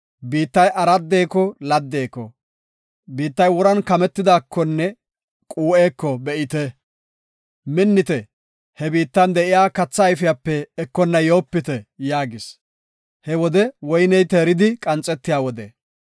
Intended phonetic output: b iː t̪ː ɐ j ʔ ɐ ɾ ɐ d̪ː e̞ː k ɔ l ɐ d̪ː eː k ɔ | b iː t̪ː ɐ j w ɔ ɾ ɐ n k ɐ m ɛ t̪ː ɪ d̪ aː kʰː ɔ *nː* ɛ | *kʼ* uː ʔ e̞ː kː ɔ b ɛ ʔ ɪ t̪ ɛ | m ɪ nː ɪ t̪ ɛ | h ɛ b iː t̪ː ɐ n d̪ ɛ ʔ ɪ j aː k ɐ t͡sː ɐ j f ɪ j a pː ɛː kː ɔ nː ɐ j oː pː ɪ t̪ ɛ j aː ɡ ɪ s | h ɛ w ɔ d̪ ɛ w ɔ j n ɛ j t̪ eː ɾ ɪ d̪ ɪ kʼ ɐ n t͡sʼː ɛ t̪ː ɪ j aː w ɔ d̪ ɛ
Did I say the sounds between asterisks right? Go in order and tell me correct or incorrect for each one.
correct, correct

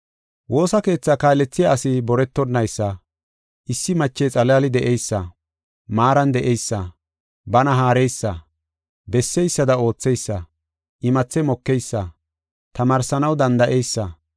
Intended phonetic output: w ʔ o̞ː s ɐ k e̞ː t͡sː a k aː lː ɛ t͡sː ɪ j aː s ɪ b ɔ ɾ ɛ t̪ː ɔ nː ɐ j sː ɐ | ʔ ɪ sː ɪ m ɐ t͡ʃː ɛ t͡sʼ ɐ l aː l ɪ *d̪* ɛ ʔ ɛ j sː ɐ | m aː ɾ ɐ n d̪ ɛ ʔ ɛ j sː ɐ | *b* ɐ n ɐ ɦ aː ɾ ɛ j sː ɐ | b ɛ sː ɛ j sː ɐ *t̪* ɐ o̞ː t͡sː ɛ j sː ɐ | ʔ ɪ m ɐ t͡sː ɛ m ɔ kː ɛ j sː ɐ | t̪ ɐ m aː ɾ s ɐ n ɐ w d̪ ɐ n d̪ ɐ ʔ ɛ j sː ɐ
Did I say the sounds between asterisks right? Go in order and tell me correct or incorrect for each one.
correct, correct, incorrect

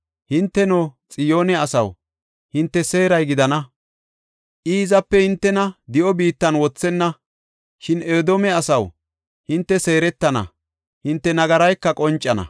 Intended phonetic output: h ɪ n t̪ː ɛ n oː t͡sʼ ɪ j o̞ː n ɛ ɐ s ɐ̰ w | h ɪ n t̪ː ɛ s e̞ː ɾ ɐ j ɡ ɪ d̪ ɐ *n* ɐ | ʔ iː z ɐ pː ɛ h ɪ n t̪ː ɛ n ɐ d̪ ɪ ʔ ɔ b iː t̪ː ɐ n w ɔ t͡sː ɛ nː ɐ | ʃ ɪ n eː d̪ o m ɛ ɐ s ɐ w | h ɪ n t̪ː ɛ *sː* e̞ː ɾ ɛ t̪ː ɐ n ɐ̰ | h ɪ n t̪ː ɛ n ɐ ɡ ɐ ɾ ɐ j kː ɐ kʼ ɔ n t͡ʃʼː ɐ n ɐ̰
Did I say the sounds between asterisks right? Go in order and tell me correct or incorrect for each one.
correct, incorrect

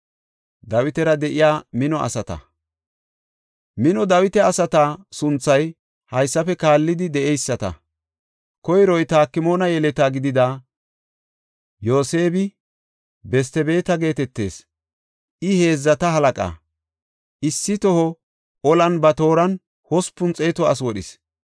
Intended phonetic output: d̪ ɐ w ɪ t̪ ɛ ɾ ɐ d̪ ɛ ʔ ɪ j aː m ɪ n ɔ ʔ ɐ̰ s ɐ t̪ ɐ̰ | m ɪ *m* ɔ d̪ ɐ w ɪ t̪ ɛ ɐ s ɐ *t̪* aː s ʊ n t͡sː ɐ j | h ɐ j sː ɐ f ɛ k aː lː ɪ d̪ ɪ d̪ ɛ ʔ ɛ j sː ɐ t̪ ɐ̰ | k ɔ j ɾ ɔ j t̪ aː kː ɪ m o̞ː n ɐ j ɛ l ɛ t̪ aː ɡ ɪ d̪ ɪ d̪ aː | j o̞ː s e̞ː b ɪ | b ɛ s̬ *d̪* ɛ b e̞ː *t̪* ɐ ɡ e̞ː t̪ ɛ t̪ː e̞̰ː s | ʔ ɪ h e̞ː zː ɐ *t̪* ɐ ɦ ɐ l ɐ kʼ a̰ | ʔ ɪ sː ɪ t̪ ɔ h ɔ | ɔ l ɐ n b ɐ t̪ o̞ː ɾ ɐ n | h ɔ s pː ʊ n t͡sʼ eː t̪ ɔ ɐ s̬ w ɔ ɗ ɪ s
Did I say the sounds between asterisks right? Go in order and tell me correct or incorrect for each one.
incorrect, correct, incorrect, correct, correct

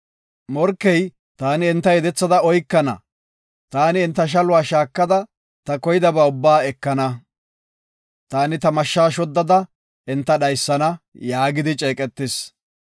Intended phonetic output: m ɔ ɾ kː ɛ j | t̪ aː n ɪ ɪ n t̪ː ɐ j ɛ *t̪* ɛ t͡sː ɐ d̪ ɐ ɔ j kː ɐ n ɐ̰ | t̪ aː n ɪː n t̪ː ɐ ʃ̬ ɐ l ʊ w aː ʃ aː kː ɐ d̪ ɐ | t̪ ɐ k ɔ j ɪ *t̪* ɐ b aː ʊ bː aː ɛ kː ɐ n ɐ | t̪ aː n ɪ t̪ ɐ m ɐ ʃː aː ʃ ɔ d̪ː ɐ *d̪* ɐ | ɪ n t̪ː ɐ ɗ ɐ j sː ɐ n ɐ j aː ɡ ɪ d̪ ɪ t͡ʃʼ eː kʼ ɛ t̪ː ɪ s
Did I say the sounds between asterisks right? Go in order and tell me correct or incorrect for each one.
incorrect, incorrect, correct

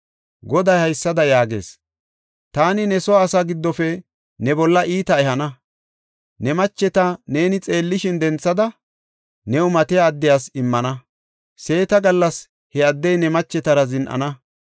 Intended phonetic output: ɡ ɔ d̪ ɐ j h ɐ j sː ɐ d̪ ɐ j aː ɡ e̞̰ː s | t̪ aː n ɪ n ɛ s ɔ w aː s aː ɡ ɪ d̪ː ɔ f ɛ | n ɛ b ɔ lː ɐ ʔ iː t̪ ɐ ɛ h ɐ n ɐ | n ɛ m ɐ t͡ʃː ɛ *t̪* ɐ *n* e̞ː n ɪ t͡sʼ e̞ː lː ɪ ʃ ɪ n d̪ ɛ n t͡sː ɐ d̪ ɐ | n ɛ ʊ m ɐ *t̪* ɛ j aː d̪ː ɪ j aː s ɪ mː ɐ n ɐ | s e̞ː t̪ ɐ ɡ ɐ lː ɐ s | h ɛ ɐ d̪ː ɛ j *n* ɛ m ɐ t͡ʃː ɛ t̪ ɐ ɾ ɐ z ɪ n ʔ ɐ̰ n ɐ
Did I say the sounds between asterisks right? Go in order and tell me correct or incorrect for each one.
correct, correct, correct, correct

